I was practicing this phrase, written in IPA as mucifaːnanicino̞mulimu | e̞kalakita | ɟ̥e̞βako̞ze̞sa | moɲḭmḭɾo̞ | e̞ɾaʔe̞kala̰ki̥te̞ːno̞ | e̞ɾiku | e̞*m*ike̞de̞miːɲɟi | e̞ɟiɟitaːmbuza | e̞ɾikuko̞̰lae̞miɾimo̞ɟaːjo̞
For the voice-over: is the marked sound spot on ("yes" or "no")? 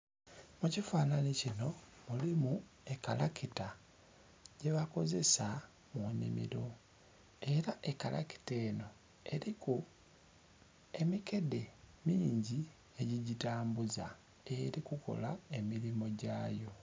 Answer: yes